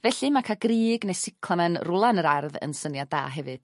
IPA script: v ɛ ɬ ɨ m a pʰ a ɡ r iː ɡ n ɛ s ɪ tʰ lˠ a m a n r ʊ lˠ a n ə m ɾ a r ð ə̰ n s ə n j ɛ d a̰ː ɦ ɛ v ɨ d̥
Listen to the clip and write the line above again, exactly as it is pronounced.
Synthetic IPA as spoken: v ɛ ɬ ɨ m a kʰ a ɡ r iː ɡ n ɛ s ɪ kʰ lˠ a m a n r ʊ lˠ a n ə ɾ a r ð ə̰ n s ə n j a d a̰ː ɦ ɛ v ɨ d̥